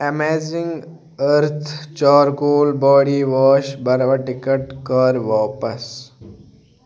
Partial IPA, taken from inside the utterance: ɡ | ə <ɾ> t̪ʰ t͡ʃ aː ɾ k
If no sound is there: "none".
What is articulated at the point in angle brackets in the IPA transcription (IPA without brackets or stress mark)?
ɾ